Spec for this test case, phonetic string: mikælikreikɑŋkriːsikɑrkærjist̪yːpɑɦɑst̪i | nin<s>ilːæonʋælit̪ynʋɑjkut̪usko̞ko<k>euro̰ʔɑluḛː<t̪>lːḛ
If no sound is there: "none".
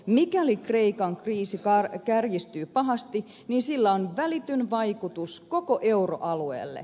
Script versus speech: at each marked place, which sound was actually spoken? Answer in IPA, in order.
s, ʔ, none

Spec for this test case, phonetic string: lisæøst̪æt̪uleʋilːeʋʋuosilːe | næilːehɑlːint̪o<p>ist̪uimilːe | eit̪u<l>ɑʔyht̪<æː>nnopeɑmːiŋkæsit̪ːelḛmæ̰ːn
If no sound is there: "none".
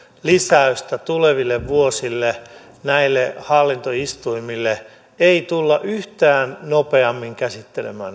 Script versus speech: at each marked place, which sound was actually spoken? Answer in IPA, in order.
none, lː, æː

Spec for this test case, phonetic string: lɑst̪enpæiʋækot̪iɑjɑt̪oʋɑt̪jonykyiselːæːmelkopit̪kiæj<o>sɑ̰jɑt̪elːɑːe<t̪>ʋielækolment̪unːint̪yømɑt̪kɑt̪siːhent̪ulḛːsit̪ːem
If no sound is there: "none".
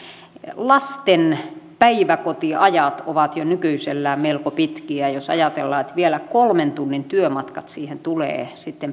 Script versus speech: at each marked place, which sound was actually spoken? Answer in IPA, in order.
o, t̪

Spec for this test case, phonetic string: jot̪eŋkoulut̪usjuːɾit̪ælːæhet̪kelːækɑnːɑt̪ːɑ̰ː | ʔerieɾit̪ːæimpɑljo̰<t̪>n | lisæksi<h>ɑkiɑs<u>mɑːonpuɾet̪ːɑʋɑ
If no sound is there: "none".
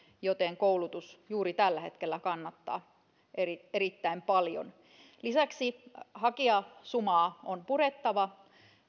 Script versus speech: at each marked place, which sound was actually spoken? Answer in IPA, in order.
none, h, u

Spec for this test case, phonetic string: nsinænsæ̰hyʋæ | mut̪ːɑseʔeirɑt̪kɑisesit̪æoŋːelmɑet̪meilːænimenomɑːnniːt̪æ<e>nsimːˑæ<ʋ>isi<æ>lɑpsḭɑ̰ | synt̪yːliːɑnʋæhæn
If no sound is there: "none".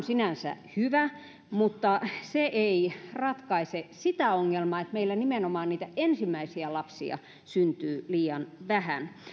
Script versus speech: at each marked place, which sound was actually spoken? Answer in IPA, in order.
e, none, æ

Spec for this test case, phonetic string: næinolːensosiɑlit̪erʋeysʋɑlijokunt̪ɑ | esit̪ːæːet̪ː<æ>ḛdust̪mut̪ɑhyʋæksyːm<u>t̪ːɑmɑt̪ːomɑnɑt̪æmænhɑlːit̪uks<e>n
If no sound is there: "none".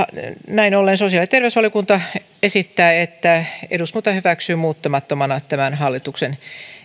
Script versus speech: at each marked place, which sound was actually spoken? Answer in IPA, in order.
æ, uː, e

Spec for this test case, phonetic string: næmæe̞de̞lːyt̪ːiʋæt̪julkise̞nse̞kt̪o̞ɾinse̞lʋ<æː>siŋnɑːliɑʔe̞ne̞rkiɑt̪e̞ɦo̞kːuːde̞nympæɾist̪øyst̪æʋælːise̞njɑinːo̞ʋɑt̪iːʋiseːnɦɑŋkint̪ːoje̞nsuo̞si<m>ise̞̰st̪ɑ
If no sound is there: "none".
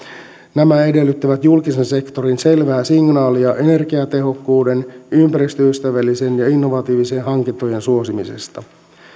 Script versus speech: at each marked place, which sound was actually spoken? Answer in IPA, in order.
æː, m

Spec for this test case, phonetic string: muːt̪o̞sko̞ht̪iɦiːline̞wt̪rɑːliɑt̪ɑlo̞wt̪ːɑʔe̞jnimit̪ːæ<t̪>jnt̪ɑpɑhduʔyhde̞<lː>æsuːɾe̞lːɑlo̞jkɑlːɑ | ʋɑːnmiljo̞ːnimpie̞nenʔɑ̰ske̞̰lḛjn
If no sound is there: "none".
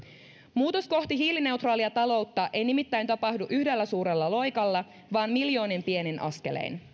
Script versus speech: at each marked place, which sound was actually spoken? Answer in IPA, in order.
none, lː

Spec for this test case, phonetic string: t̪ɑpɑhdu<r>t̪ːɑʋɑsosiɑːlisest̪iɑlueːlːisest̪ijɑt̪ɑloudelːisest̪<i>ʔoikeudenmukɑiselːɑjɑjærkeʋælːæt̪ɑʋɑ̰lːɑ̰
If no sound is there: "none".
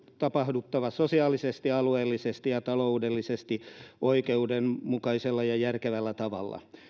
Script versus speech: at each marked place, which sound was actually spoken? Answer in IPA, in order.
none, i

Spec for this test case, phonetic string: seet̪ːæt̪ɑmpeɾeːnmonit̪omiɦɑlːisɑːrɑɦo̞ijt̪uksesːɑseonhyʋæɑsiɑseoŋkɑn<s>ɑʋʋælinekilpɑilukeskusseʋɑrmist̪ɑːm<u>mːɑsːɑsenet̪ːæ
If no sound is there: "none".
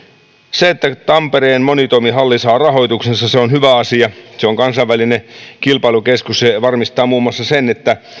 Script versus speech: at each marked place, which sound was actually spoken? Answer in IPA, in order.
s, uː

